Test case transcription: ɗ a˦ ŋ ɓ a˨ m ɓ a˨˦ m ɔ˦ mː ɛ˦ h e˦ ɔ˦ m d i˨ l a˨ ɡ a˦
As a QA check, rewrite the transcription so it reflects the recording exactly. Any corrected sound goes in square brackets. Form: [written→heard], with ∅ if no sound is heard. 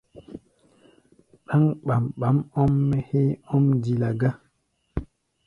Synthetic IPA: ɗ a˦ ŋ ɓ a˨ m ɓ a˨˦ m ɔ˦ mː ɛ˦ h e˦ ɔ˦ m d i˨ l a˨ ɡ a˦